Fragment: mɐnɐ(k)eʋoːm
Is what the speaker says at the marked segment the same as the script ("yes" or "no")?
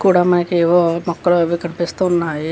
yes